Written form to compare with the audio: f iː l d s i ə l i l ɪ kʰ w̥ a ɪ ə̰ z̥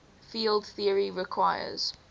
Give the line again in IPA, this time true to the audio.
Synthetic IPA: f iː l d θ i ə ɹ i ɹ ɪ kʰ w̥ a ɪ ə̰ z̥

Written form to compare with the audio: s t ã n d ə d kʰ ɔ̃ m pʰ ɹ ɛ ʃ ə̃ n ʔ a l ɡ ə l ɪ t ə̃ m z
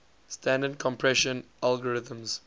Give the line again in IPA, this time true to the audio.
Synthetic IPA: s t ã n d ə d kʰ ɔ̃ m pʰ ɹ ɛ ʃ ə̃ n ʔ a l ɡ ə ɹ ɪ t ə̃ m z

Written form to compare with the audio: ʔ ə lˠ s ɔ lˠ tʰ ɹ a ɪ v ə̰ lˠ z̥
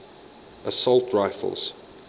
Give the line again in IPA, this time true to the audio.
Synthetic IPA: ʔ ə s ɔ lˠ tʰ ɹ a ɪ f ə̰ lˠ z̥

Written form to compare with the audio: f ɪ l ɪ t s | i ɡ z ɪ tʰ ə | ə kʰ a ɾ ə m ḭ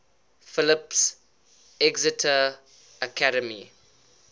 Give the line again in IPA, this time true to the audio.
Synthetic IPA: f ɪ l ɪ p s | ɛ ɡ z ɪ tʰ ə | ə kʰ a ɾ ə m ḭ

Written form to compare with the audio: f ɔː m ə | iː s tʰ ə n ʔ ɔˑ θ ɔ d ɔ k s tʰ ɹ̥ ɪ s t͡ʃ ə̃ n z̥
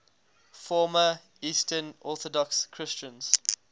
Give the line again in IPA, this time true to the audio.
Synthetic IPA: f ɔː m ə | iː s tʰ ə n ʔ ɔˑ θ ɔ d ɔ k s kʰ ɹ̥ ɪ s t͡ʃ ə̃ n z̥

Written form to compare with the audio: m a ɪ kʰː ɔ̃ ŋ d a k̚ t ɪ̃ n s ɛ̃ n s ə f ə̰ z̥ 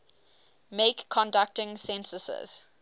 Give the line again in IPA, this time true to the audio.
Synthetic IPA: m e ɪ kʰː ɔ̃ n d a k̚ t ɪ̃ ŋ s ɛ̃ n s ə s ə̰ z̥

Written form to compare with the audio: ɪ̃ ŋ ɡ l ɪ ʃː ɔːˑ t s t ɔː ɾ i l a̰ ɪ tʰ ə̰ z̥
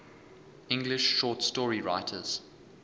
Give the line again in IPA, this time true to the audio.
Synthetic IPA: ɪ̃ ŋ ɡ l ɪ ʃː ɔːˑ t s t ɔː ɹ i ɹ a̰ ɪ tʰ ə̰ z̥

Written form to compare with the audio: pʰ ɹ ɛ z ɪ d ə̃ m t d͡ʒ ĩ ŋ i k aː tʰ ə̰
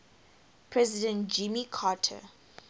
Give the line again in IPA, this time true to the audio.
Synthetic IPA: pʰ ɹ ɛ z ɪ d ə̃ n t d͡ʒ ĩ m i kʰ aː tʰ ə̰

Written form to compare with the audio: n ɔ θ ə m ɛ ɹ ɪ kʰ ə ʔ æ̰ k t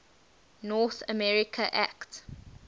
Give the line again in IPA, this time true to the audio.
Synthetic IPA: n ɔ θ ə m ɛ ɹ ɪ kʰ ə ʔ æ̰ k t

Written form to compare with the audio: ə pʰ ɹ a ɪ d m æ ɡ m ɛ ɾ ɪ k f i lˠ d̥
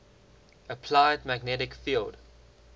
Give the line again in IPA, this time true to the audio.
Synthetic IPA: ə pʰ l a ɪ d m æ ɡ n ɛ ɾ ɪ k f i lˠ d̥

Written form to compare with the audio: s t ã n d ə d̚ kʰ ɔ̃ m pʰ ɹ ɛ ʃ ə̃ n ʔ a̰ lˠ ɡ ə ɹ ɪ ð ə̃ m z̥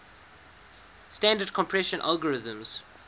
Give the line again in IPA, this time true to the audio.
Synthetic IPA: s t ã n d ə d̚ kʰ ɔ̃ m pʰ ɹ ɛ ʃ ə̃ n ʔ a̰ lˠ ɡ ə ɹ ɪ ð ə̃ m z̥

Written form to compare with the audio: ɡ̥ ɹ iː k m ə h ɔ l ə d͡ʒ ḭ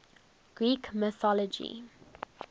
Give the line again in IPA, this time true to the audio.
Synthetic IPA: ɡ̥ ɹ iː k m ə θ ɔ l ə d͡ʒ ḭ

